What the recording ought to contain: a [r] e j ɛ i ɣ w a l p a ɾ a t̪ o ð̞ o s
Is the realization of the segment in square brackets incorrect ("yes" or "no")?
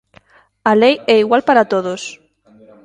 yes